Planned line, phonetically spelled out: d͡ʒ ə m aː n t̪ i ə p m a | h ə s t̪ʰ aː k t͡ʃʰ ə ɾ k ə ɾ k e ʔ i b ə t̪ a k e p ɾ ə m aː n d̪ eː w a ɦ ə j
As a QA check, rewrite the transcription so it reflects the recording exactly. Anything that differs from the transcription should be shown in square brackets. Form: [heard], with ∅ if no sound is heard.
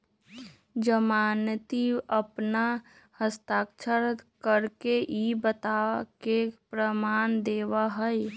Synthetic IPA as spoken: d͡ʒ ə m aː n t̪ i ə p [n] a | h ə s [t̪] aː k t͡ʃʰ ə ɾ k ə ɾ k e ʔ i b ə t̪ a k e p ɾ ə m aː n d̪ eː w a ɦ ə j